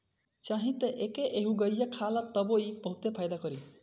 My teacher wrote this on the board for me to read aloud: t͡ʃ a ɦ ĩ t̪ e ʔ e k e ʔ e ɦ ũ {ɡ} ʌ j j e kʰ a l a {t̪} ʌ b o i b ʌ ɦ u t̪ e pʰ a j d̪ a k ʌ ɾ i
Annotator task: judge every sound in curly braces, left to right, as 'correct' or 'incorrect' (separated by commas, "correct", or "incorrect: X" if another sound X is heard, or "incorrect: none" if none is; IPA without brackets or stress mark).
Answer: correct, correct